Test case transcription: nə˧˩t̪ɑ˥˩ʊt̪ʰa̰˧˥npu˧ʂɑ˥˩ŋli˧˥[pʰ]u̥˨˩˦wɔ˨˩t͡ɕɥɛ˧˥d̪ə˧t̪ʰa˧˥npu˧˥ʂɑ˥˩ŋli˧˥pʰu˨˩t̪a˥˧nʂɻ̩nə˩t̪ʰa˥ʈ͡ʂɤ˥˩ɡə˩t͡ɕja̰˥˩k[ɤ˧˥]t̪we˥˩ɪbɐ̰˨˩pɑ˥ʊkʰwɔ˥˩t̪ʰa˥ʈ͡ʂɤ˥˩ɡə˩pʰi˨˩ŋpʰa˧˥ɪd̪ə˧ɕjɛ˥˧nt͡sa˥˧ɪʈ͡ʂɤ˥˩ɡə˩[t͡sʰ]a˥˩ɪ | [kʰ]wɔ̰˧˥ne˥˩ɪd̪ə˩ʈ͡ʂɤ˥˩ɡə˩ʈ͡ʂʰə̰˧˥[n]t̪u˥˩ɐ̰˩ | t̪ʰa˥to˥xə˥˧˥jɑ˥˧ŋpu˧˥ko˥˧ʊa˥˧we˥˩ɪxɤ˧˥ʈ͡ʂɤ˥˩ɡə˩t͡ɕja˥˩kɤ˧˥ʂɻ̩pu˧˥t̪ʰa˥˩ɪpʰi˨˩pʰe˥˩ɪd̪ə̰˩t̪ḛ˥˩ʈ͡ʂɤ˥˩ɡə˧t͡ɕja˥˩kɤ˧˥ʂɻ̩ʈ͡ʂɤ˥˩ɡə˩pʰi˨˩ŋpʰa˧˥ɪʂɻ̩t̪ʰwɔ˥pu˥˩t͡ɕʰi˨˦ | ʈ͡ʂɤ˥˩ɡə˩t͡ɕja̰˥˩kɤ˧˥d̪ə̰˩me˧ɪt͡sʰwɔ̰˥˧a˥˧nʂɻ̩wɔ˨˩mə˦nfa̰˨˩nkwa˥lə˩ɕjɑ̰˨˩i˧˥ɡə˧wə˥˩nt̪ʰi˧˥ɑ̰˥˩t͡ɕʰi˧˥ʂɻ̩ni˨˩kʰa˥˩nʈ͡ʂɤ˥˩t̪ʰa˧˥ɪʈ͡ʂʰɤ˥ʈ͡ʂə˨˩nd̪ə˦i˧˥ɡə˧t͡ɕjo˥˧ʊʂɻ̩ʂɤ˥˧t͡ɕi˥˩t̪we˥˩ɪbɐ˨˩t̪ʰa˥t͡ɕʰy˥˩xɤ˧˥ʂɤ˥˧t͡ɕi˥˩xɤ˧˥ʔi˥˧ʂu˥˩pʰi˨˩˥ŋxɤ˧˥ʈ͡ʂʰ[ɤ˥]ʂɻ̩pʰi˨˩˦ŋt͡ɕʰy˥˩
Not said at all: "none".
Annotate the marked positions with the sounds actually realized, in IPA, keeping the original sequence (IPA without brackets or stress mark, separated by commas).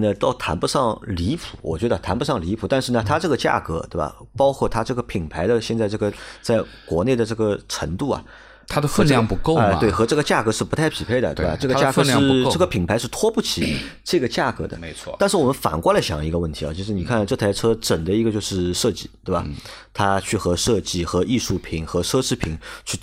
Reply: pʰ, ɤ˧˥, t͡s, k, ŋ, ɤ˥